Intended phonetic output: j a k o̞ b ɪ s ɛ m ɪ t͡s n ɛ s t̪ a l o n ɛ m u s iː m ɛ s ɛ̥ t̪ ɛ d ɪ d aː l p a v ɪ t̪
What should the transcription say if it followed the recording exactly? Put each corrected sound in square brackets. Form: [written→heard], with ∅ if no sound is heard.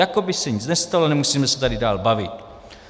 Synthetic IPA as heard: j a k o̞ b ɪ s ɛ [m→ɲ] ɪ t͡s n ɛ s t̪ a l o n ɛ m u s iː m ɛ s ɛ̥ t̪ [ɛ→a] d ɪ d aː l [p→b] a v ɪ t̪